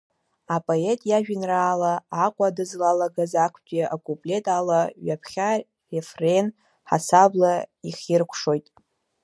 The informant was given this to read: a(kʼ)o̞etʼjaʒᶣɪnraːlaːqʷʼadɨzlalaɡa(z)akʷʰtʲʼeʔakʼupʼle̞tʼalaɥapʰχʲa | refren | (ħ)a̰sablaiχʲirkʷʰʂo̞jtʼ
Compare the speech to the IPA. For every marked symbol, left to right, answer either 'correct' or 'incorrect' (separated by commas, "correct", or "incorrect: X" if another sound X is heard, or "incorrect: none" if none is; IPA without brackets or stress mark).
incorrect: pʼ, correct, correct